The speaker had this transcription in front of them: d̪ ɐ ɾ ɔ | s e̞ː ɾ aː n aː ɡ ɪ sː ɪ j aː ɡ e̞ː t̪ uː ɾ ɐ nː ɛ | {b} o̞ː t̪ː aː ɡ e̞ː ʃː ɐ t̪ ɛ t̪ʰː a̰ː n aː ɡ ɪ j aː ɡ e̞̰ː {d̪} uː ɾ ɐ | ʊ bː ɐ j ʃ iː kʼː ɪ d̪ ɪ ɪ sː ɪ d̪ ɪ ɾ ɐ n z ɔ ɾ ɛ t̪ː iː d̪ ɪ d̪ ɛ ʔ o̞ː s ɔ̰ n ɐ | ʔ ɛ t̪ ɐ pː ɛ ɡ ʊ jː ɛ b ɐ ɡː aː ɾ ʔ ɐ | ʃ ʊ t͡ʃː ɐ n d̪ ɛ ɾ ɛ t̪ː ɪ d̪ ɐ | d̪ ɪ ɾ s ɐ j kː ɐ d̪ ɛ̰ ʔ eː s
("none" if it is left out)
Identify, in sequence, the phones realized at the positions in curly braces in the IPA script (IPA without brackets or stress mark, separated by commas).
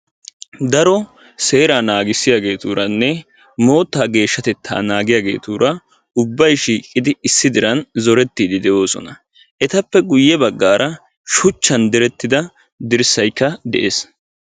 m, t̪